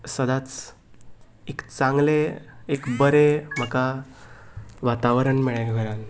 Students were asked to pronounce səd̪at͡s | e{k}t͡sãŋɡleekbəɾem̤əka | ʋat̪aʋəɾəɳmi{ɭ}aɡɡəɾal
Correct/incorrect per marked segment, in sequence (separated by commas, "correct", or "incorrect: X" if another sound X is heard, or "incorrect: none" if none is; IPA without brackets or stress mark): correct, correct